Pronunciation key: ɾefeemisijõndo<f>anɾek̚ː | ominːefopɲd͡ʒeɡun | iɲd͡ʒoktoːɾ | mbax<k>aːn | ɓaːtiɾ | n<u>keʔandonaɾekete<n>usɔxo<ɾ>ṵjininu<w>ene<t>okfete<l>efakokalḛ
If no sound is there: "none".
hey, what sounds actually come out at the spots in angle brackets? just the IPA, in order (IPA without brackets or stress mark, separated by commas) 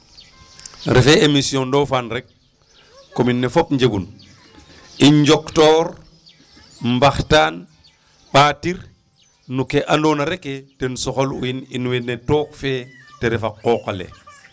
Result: f, t, u, n, l, w, t, ɾ